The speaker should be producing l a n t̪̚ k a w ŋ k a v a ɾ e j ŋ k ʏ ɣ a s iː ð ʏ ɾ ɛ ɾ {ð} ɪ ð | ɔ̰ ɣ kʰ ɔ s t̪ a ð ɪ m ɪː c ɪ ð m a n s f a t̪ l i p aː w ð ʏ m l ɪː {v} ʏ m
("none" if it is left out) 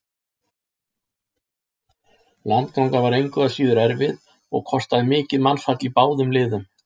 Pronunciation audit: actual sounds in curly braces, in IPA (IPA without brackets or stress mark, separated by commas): v, ð